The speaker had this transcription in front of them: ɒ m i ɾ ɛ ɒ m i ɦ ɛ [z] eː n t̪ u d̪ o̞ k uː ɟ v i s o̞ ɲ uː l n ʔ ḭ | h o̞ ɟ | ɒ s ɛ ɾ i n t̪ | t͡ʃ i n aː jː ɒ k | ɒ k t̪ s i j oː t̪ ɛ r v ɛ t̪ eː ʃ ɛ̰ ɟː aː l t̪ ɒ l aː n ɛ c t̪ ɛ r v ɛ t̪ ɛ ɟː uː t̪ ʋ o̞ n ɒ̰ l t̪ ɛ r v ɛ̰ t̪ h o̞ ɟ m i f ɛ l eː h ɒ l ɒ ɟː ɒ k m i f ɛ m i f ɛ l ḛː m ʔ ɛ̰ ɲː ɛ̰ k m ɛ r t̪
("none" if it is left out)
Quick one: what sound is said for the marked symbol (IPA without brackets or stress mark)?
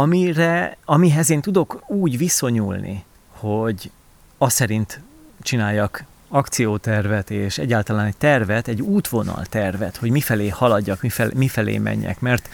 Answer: z